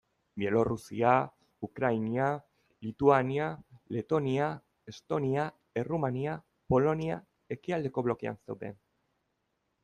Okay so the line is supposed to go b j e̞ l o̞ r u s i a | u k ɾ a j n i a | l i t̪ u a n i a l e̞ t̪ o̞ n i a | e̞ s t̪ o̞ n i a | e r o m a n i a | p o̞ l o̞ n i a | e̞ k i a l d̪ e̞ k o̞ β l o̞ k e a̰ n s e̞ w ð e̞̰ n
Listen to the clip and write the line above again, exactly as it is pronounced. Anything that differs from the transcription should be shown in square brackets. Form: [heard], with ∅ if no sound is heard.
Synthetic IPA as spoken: b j e̞ l o̞ r u s i a | u k ɾ a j n i a | l i t̪ u a n i a l e̞ t̪ o̞ n i a | e̞ s t̪ o̞ n i a | e r [u] m a n i a | p o̞ l o̞ n i a | e̞ k i a l d̪ e̞ k o̞ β l o̞ k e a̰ n s e̞ w ð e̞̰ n